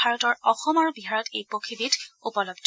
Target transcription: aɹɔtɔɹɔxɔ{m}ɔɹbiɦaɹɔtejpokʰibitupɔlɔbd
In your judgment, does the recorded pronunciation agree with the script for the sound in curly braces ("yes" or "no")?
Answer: yes